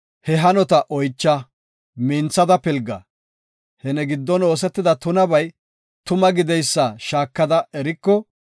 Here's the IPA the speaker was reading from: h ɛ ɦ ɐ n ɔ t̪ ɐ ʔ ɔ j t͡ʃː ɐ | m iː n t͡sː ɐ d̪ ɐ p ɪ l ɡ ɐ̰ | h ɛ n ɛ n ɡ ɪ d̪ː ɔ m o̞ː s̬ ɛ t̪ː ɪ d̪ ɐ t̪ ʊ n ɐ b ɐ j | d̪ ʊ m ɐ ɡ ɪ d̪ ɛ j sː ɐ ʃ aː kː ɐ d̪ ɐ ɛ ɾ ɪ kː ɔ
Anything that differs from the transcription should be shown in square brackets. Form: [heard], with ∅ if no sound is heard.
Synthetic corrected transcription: h ɛ ɦ ɐ n ɔ t̪ ɐ ʔ ɔ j t͡ʃː ɐ | m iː n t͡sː ɐ d̪ ɐ p ɪ l ɡ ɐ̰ | h ɛ n ɛ [∅] ɡ ɪ d̪ː ɔ [n] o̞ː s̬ ɛ t̪ː ɪ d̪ ɐ t̪ ʊ n ɐ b ɐ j | [t̪] ʊ m ɐ ɡ ɪ d̪ ɛ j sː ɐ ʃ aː kː ɐ d̪ ɐ ɛ ɾ ɪ kː ɔ